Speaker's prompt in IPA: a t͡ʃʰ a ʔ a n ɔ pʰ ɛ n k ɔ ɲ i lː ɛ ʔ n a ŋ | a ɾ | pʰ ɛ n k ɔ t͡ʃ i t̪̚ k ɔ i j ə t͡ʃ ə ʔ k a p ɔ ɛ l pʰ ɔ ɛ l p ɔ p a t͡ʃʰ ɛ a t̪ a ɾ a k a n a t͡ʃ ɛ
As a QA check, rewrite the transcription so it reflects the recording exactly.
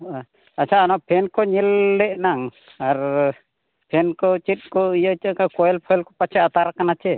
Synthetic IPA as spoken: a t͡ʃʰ a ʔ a n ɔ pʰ ɛ n k ɔ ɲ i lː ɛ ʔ n a ŋ | a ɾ | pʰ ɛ n k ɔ t͡ʃ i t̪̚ k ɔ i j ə t͡ʃ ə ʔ k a k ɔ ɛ l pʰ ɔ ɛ l k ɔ p a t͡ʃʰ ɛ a t̪ a ɾ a k a n a t͡ʃ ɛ